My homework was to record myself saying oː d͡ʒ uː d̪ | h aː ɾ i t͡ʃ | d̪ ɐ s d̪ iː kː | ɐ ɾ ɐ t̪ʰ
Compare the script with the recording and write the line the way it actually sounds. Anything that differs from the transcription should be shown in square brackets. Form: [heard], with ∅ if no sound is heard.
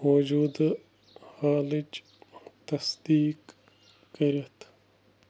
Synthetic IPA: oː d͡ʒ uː d̪ | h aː [l] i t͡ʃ | [t̪] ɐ s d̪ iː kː | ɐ ɾ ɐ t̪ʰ